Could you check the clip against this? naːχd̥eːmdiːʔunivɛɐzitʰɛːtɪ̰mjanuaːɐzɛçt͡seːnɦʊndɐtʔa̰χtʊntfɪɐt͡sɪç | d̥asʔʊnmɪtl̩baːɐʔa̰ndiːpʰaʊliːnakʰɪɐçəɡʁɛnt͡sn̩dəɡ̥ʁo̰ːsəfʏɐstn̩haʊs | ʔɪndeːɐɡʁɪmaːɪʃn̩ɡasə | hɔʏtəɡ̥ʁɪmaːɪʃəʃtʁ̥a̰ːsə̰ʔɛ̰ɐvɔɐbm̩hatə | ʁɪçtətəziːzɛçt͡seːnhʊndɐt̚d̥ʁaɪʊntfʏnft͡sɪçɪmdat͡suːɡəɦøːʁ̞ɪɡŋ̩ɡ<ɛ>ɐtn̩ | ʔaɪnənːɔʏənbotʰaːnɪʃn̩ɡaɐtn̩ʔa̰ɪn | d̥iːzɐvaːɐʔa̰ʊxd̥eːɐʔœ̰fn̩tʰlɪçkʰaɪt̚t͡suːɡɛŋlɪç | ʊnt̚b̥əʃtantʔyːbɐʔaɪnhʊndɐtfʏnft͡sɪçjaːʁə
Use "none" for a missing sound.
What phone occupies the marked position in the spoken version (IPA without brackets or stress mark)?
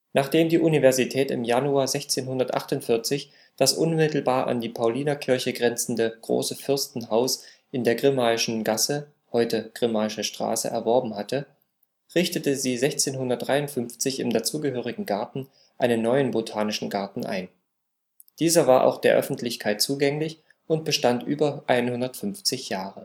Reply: a